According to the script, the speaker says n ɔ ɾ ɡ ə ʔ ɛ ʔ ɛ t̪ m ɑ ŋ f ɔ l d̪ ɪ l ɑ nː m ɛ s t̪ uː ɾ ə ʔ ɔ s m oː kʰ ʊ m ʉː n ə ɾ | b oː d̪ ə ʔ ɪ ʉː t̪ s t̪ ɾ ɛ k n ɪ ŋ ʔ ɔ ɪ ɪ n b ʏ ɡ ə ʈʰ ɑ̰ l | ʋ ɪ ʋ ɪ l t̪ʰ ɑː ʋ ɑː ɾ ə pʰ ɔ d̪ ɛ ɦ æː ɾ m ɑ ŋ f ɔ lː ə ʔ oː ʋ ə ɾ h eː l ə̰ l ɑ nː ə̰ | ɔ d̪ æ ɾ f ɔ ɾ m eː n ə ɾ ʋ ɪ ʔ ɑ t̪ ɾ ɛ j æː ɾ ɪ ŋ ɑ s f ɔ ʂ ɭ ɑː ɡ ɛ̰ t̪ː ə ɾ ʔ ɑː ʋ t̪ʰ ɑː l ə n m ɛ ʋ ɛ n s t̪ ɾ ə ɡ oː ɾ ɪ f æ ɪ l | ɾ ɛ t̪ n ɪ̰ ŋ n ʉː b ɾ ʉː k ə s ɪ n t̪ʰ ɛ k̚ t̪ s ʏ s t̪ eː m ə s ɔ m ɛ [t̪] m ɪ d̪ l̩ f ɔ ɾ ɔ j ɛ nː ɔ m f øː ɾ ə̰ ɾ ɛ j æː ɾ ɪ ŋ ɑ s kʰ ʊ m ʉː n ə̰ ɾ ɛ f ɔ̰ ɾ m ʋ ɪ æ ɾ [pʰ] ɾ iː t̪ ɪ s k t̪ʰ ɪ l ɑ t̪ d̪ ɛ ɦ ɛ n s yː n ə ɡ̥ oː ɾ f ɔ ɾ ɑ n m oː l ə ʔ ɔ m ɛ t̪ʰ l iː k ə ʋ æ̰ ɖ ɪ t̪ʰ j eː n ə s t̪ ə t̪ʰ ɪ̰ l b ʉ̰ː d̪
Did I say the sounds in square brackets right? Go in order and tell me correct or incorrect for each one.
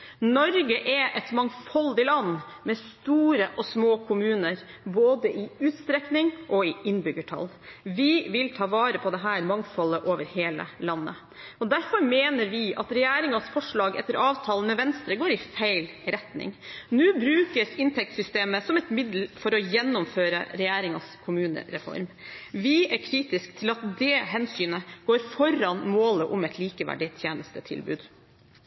correct, incorrect: kʰ

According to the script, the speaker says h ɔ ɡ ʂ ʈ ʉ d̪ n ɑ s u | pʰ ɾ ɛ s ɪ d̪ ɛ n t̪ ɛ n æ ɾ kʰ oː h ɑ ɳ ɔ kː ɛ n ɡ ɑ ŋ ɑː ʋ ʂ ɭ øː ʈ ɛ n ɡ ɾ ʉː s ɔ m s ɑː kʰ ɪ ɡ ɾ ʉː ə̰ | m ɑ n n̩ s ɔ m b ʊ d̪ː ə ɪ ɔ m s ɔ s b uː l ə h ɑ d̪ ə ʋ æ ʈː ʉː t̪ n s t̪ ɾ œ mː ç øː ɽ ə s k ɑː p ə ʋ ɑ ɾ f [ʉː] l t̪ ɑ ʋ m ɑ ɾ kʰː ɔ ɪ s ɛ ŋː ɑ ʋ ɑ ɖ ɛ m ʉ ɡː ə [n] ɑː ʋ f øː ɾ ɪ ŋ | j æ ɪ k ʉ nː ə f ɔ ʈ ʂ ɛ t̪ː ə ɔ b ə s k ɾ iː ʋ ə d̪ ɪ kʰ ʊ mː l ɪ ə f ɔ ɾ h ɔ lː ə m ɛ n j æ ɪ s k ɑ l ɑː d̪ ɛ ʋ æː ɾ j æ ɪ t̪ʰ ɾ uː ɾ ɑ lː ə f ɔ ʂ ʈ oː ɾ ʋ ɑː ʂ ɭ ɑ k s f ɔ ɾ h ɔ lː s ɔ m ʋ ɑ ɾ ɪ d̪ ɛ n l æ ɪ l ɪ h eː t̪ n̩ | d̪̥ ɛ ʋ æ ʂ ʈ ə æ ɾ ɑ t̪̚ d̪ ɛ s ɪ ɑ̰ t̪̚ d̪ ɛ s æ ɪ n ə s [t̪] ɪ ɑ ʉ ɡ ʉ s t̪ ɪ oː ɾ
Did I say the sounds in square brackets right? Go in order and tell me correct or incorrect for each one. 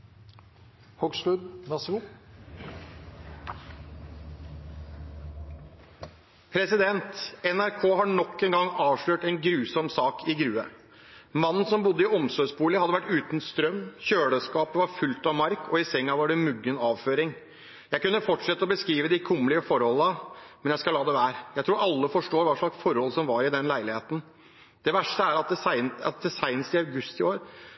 incorrect: ʉ, correct, correct

